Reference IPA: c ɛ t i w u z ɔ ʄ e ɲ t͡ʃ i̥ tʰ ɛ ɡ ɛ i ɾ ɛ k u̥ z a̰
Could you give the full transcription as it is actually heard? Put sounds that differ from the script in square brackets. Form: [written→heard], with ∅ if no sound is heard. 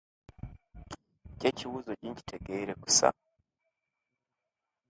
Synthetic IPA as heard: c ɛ [t→t͡ʃ] i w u z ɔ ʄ [e→i] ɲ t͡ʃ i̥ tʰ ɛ ɡ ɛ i ɾ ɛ k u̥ [z→s] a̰